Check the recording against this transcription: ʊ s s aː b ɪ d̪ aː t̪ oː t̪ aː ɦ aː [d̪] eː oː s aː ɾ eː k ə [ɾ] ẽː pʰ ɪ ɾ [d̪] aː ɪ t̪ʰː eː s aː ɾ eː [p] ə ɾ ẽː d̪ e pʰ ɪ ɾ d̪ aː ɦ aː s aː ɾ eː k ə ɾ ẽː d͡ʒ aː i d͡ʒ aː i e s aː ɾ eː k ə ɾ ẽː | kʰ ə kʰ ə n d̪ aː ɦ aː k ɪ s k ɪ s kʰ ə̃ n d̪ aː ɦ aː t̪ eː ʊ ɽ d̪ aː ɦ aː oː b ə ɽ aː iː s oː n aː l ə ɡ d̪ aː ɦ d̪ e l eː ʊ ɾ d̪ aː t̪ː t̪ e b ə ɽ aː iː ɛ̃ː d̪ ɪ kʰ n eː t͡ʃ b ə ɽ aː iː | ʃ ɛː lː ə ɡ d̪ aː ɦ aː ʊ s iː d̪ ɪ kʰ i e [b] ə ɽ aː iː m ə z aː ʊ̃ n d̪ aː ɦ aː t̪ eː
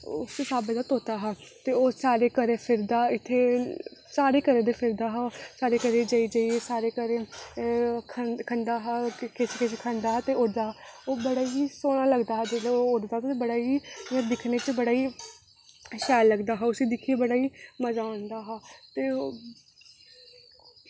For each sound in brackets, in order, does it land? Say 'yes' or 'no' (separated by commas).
no, yes, yes, no, yes